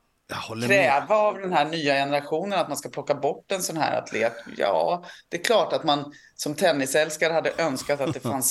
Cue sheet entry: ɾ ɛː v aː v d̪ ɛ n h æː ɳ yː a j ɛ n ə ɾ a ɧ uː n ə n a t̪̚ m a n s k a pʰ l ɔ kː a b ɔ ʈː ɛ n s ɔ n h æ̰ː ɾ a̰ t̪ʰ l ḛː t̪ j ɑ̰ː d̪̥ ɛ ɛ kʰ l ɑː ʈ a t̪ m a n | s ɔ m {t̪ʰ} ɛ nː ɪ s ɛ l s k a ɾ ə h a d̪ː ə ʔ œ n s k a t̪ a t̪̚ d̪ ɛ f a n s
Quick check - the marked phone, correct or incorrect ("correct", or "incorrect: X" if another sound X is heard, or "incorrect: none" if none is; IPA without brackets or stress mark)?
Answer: correct